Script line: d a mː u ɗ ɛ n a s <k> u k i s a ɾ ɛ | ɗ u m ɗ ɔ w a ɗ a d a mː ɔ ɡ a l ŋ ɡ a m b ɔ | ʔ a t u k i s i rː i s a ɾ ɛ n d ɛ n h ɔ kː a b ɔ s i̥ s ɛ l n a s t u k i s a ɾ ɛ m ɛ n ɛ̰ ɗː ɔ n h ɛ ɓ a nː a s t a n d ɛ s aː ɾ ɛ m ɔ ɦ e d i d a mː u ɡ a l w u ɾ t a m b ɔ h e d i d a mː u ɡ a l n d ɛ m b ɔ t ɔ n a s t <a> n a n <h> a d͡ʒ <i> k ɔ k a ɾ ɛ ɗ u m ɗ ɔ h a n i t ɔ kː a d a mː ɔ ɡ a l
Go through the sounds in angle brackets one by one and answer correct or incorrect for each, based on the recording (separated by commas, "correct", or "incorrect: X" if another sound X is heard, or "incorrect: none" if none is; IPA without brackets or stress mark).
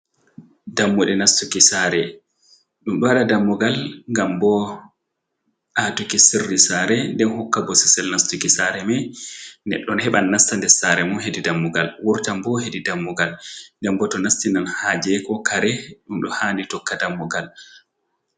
incorrect: t, incorrect: i, correct, incorrect: ɛ